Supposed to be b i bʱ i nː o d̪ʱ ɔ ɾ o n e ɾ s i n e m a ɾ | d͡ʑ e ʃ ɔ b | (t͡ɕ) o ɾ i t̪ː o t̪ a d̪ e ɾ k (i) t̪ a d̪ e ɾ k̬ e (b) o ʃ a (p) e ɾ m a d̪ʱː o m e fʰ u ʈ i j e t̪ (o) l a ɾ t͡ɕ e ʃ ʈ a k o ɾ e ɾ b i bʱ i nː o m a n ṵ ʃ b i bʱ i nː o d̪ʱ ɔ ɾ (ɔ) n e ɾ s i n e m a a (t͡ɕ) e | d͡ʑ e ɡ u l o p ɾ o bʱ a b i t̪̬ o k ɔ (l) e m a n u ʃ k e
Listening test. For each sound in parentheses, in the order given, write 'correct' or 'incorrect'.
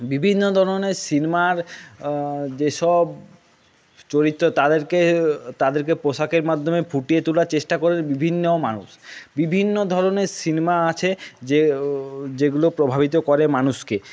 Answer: correct, incorrect, incorrect, incorrect, incorrect, incorrect, incorrect, incorrect

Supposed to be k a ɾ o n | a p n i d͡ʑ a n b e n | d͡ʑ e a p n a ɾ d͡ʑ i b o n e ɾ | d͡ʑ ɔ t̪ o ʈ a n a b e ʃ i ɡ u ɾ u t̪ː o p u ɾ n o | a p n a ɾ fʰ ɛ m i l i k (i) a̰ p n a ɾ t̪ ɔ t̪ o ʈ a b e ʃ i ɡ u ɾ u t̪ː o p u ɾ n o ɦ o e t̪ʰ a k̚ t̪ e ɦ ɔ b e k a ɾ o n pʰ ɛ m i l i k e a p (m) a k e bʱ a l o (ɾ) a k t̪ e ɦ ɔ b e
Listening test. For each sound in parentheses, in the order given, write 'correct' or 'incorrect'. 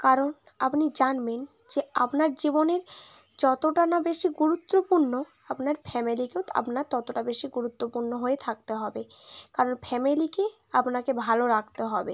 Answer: incorrect, incorrect, correct

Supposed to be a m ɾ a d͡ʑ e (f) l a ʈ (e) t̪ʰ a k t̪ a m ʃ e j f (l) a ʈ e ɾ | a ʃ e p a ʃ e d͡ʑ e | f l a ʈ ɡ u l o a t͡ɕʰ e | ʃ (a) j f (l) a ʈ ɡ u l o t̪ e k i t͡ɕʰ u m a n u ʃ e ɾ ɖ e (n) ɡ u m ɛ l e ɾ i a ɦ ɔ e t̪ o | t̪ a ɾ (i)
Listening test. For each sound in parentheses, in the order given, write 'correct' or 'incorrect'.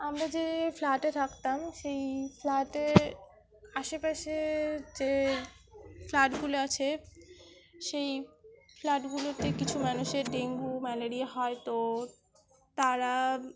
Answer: correct, correct, correct, incorrect, correct, incorrect, incorrect

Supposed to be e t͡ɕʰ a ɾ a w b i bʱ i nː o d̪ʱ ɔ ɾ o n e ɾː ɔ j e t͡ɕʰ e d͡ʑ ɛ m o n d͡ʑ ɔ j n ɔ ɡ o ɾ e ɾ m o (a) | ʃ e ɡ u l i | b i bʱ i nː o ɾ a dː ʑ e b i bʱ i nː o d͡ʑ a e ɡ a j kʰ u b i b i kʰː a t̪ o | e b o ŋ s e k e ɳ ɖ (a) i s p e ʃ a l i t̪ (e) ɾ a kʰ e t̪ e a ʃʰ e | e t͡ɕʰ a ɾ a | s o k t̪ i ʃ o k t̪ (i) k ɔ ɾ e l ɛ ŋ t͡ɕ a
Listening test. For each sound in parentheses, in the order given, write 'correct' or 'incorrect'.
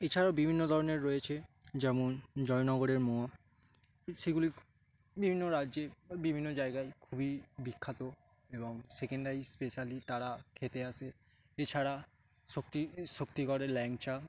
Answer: correct, correct, incorrect, correct

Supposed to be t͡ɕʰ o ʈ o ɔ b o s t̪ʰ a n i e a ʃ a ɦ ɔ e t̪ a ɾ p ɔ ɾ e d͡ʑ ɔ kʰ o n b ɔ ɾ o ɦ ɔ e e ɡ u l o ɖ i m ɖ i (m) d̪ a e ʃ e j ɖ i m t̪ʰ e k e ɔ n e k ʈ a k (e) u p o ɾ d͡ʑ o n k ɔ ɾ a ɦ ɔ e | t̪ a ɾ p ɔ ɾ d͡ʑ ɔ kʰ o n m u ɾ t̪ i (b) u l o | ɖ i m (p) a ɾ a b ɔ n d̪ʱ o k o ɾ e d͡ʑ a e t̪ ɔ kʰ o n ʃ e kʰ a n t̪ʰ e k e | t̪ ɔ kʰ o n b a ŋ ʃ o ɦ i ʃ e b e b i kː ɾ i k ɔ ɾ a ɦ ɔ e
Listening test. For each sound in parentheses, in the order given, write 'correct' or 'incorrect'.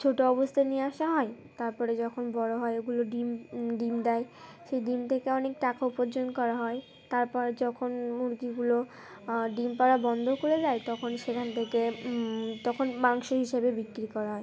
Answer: correct, incorrect, incorrect, correct

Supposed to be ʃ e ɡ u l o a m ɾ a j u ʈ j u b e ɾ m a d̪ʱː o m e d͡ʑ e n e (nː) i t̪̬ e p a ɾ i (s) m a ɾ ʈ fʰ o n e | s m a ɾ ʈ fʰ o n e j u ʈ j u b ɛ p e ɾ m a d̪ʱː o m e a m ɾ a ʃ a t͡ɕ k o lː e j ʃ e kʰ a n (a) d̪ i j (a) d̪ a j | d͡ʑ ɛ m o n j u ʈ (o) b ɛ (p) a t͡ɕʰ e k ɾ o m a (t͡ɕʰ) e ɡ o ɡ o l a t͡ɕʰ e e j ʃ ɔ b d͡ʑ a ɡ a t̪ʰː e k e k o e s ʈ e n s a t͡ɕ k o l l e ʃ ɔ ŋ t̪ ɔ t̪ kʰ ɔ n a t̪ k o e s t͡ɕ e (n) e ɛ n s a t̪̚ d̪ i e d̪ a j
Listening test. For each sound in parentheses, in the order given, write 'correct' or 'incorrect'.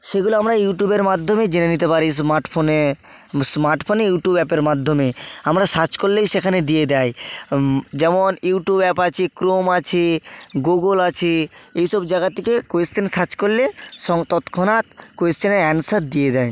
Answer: incorrect, correct, incorrect, incorrect, incorrect, correct, correct, correct

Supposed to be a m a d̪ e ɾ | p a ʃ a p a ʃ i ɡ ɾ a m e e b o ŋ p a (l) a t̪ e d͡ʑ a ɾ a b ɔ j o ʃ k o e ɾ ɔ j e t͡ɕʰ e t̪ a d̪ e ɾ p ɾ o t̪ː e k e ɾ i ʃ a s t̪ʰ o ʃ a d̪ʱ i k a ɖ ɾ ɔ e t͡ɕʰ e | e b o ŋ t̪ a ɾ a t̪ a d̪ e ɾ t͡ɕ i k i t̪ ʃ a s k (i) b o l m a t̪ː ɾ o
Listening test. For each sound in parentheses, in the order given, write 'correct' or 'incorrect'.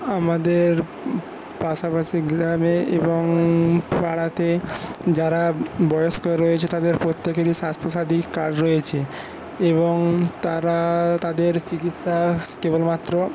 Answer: incorrect, incorrect

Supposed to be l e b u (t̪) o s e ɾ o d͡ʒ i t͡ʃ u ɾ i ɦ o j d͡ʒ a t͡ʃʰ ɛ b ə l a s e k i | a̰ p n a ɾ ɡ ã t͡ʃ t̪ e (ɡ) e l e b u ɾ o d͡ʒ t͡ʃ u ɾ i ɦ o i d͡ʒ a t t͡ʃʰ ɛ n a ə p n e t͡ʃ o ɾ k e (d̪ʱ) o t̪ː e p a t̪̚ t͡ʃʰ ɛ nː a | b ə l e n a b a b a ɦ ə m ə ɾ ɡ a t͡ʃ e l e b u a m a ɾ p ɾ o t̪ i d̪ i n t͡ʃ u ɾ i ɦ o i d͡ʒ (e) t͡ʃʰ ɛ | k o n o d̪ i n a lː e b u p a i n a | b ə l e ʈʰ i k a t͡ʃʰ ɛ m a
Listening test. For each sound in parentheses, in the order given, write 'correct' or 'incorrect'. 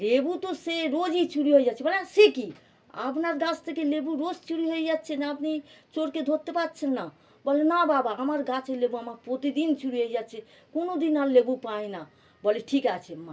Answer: correct, incorrect, correct, incorrect

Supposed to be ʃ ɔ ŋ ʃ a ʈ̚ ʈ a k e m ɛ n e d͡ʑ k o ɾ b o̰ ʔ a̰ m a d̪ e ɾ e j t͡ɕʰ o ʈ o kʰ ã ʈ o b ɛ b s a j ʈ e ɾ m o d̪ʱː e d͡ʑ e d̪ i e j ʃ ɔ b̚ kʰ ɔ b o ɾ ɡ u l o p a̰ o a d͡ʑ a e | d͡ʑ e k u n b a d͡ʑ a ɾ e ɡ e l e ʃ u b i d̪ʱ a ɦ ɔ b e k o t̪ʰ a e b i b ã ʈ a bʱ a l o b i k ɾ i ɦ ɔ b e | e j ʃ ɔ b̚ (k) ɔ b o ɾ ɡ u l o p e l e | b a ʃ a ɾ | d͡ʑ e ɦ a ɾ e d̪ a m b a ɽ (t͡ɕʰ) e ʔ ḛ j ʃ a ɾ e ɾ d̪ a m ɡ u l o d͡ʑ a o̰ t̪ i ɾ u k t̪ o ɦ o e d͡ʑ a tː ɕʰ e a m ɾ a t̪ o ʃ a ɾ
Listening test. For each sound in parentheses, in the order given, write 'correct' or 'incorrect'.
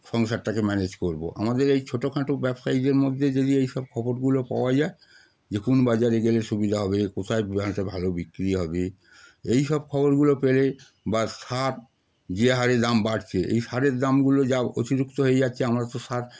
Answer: incorrect, correct

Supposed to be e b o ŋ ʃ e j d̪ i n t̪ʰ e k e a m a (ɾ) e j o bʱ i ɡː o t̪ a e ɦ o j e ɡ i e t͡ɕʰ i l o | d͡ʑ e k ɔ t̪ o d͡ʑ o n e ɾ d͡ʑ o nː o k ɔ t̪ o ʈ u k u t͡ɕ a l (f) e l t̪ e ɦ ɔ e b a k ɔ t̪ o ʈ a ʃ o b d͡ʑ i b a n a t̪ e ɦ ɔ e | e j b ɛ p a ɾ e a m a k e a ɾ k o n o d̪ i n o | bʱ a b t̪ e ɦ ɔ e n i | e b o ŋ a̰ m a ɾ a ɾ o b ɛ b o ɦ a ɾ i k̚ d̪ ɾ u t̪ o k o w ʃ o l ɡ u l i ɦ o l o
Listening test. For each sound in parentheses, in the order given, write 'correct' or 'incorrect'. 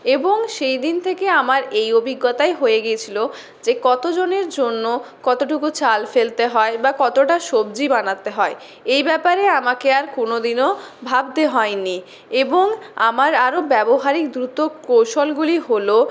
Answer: correct, correct

